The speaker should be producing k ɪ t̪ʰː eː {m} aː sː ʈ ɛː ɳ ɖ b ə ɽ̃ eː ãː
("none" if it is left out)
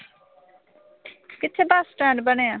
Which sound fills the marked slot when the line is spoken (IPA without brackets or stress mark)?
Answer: b